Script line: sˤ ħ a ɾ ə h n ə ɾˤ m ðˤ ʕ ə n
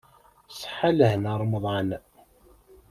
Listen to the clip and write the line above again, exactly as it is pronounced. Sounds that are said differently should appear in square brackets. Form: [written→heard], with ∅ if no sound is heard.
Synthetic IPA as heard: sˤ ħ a [ɾ→l] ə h n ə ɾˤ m ðˤ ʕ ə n